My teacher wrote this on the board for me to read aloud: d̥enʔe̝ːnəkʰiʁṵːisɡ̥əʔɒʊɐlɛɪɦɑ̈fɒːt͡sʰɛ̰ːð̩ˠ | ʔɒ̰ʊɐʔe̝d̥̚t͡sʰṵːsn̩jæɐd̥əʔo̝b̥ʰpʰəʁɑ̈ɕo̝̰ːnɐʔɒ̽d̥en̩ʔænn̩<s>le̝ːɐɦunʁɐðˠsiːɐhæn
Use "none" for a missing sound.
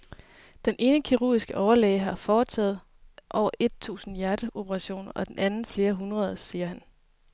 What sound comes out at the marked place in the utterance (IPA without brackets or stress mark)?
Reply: f